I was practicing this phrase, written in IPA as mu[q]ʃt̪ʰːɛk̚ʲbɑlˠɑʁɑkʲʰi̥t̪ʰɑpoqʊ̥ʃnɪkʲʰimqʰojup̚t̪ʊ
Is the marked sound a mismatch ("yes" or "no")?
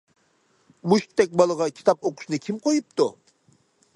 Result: yes